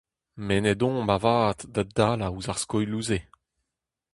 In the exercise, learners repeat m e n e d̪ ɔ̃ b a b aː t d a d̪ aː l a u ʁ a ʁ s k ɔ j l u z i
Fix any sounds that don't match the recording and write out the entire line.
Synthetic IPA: m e n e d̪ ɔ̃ b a v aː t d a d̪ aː l a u z a ʁ s k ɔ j l u z e